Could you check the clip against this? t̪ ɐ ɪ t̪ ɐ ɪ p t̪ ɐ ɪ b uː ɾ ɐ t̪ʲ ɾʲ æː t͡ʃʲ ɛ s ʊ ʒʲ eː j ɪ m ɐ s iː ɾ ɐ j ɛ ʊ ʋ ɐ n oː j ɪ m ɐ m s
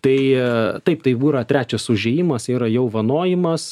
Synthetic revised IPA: t̪ ɐ ɪ t̪ ɐ ɪ p t̪ ɐ ɪ b uː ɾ ɐ t̪ʲ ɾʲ æː t͡ʃʲ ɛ s ʊ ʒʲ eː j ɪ m ɐ s iː ɾ ɐ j ɛ ʊ ʋ ɐ n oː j ɪ m ɐ s